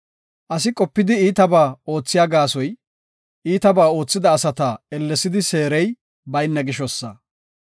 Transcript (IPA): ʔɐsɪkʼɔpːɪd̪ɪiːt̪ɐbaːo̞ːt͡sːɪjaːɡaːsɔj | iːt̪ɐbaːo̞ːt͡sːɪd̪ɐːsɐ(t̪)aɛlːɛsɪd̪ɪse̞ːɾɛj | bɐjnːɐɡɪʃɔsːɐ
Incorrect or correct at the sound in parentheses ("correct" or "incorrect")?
correct